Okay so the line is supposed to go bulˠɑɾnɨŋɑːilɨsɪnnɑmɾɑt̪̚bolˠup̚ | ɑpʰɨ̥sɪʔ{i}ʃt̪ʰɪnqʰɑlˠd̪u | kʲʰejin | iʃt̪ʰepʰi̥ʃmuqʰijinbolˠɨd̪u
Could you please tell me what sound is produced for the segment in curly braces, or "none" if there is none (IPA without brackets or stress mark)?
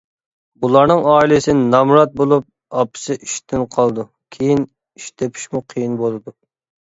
i